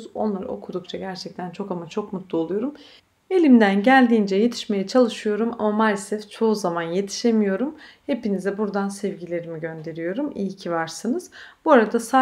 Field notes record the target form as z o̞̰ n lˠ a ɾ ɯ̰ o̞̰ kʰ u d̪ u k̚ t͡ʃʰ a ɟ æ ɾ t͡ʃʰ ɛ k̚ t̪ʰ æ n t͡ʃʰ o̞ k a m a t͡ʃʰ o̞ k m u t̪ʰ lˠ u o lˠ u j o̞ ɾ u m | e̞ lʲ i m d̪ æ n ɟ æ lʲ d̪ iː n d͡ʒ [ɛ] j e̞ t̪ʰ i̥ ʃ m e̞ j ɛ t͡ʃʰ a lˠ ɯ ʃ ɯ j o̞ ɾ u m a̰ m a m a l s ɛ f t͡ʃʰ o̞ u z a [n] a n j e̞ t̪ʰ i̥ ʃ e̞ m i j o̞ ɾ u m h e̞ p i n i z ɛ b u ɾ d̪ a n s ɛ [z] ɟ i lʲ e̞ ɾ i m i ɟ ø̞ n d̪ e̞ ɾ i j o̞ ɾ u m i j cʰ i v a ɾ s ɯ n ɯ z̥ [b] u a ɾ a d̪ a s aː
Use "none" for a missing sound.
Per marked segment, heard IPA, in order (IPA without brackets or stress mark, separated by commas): ɛ, m, v, b